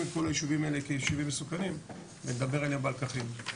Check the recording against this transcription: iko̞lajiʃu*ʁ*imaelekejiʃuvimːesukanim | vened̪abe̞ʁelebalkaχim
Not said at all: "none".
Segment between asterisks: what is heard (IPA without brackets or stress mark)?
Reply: v